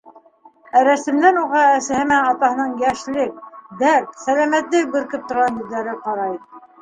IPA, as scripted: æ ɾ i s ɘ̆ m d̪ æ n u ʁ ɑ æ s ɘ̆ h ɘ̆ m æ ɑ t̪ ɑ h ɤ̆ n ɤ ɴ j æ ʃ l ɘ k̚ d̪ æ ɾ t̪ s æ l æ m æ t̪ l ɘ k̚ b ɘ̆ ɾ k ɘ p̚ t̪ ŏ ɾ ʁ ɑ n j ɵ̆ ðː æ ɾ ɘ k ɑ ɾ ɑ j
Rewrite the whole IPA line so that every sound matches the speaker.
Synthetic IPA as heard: æ ɾ æ s ɘ̆ m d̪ æ n u ʁ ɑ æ s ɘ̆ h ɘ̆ m æ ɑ t̪ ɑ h ɤ̆ n ɤ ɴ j æ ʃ l ɘ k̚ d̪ æ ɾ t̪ s æ l æ m æ t̪ l ɘ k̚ b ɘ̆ ɾ k ɘ p̚ t̪ ŏ ɾ ʁ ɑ n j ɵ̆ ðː æ ɾ ɘ q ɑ ɾ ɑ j